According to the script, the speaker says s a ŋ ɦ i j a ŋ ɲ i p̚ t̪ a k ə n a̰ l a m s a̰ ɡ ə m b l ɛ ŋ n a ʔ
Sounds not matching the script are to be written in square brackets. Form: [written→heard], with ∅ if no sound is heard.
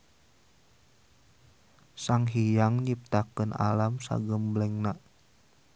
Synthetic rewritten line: s a ŋ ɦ i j a ŋ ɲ i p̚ t̪ a k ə n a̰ l a m s a̰ ɡ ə m b l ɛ ŋ n a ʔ